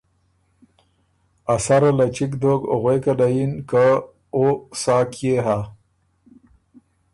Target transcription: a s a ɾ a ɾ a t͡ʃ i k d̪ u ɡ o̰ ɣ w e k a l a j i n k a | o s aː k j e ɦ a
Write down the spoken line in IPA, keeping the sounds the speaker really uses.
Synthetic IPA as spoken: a s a ɾ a l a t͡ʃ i k d̪ o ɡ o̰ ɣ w e k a l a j i n k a | o s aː k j e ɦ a